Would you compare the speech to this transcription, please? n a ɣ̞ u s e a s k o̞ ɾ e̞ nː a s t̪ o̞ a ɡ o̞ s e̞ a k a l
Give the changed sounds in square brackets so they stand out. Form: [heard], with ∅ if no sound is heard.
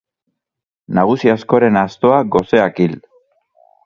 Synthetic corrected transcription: n a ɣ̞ u s [i] a s k o̞ ɾ e̞ [n] a s t̪ o̞ a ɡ o̞ s e̞ a k [i] l